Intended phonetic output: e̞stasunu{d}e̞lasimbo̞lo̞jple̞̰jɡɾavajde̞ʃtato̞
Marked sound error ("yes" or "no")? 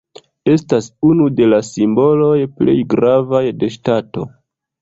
no